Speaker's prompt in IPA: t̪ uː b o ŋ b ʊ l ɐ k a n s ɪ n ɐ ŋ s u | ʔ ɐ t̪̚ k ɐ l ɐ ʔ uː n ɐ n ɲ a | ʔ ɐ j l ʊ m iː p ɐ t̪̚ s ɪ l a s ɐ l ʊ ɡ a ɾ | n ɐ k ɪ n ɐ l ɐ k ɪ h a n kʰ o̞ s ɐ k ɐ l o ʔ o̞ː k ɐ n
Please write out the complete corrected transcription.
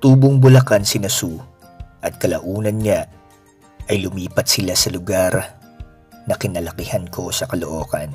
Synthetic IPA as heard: t̪ uː b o ŋ b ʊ l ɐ k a n s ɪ n ɐ s u | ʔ ɐ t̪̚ k ɐ l ɐ ʔ uː n ɐ n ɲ a | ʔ ɐ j l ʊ m iː p ɐ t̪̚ s ɪ l a s ɐ l ʊ ɡ a ɾ | n ɐ k ɪ n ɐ l ɐ k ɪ h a n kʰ o̞ s ɐ k ɐ l o ʔ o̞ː k ɐ n